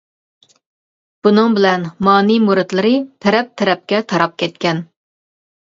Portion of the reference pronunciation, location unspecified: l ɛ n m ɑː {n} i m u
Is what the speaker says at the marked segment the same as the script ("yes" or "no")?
yes